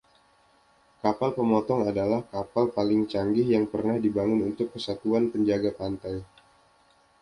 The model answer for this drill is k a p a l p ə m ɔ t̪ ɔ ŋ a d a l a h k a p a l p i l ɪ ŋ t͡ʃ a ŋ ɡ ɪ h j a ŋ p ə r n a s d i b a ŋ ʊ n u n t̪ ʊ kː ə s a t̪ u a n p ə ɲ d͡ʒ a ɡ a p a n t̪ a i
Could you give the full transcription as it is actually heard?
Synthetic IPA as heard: k a p a l p ə m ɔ t̪ ɔ ŋ a d a l a h k a p a l p a l ɪ ŋ t͡ʃ a ŋ ɡ ɪ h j a ŋ p ə r n a h d i b a ŋ ʊ n u n t̪ ʊ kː ə s a t̪ u a n p ə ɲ d͡ʒ a ɡ a p a n t̪ a j